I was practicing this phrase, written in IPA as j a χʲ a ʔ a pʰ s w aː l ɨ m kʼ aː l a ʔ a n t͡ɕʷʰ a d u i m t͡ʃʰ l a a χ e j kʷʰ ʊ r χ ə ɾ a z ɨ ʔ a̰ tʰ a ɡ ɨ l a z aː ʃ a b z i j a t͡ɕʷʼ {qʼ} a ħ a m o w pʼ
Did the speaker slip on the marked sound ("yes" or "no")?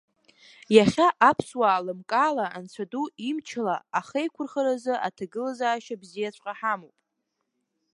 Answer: no